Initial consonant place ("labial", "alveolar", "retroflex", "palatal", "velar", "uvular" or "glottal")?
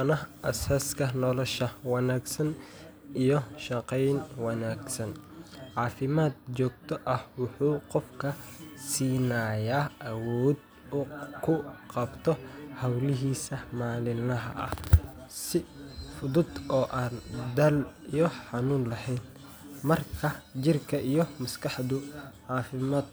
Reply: alveolar